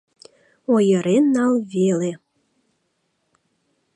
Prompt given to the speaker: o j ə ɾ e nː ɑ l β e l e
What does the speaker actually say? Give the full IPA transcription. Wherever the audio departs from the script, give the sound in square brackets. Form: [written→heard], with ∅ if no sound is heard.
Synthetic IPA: o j ə ɾ e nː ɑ l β e l e